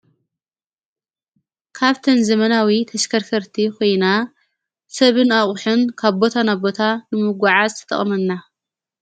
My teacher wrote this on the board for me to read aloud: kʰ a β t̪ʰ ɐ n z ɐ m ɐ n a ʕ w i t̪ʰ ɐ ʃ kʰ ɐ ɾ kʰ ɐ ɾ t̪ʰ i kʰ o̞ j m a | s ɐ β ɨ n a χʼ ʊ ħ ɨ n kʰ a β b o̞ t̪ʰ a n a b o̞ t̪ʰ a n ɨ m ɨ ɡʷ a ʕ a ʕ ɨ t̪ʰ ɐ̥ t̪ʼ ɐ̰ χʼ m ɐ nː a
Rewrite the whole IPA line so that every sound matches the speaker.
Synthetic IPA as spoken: kʰ a β t̪ʰ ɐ n z ɐ m ɐ n a w i t̪ʰ ɐ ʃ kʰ ɐ ɾ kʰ ɐ ɾ t̪ʰ i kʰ o̞ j n a | s ɐ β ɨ n a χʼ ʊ ħ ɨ n kʰ a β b o̞ t̪ʰ a n a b o̞ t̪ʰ a n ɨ m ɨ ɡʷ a ʕ a z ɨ t̪ʰ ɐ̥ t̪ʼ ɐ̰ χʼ m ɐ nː a